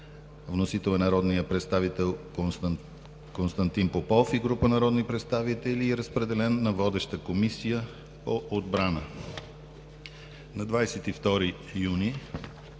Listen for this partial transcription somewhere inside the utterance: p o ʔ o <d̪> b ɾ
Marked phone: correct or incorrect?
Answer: correct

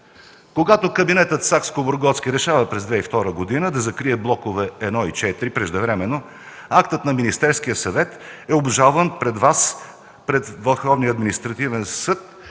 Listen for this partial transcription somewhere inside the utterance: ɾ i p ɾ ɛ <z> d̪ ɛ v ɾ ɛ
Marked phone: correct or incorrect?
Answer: incorrect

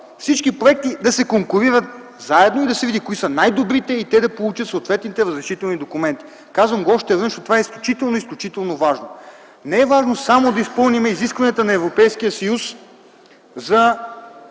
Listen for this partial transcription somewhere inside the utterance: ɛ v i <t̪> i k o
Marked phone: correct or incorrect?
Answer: incorrect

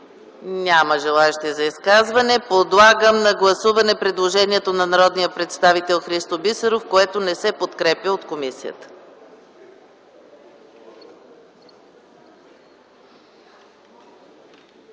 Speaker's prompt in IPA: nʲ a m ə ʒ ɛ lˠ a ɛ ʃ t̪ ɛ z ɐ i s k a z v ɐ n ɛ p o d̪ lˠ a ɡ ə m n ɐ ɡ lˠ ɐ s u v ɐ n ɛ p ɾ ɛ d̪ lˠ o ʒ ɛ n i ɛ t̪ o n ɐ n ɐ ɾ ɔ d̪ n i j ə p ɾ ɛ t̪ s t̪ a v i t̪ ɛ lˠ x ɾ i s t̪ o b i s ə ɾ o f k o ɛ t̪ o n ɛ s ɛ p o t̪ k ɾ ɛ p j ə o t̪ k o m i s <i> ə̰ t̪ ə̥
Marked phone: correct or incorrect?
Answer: correct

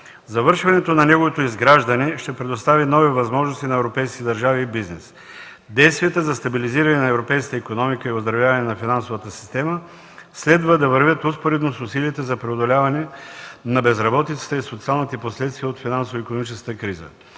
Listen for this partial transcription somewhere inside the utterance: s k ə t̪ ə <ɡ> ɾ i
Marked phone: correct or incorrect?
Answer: incorrect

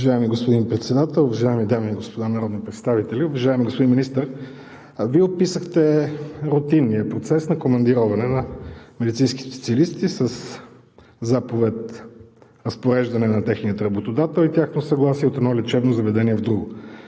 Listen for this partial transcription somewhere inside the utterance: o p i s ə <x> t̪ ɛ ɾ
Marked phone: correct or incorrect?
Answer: correct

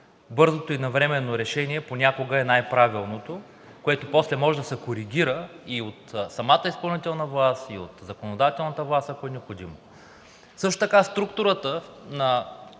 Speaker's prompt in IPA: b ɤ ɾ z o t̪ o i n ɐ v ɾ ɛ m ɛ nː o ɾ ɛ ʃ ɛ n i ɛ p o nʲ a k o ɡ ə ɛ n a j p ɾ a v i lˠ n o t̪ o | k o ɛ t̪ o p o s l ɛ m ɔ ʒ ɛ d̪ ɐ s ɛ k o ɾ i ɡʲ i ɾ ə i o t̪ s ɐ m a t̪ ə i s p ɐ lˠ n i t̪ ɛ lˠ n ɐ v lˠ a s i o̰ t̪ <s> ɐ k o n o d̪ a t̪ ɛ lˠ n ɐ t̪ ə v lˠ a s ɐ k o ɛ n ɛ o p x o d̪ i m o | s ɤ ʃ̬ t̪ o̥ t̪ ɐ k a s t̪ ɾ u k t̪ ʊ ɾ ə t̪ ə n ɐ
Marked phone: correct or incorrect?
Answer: incorrect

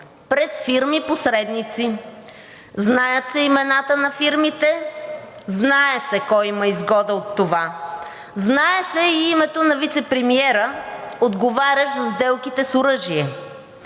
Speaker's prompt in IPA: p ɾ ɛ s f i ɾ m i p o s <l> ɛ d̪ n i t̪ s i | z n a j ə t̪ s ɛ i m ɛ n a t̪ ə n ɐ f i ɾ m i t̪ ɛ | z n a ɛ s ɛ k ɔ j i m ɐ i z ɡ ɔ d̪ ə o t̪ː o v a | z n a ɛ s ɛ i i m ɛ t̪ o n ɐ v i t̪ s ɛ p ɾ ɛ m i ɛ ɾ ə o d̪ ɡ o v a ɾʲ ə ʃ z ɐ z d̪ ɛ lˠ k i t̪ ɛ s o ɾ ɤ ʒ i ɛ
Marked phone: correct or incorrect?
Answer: incorrect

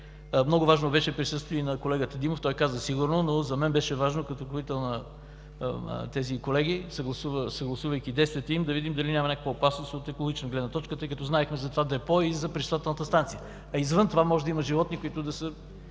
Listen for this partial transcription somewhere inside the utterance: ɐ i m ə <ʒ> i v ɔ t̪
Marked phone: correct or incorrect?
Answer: correct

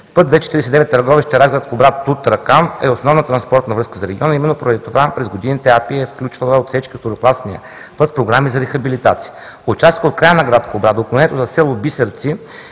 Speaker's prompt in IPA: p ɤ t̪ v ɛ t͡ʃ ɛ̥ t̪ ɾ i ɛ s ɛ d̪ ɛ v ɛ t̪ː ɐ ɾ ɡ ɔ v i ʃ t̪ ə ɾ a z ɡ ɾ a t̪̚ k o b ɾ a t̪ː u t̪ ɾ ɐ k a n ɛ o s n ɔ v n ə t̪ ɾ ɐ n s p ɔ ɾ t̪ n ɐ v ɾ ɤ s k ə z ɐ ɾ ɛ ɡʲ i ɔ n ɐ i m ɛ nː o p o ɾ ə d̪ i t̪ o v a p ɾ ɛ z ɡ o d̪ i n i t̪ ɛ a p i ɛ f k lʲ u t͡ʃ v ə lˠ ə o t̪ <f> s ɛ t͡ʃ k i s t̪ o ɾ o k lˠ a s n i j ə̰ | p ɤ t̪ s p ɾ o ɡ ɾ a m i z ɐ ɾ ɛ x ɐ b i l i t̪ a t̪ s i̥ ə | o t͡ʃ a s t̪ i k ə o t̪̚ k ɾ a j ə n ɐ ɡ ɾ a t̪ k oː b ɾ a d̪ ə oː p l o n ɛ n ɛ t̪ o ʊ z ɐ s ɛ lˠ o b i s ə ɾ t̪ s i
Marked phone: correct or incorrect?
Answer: correct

